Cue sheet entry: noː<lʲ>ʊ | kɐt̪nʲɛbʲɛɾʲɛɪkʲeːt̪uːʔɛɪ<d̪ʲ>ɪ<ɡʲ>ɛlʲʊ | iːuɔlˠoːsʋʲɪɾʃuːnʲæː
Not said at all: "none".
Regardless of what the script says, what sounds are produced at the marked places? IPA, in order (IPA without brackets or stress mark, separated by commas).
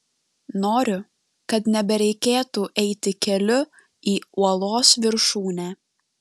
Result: ɾʲ, t̪ʲ, kʲ